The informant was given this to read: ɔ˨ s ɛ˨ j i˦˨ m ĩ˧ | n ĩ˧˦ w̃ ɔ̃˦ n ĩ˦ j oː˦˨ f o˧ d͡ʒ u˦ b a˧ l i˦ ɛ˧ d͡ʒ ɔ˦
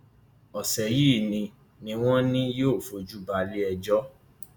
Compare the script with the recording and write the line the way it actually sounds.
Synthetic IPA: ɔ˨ s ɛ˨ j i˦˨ n ĩ˧ | n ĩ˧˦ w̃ ɔ̃˦ n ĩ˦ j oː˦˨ f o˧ d͡ʒ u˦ b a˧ l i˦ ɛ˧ d͡ʒ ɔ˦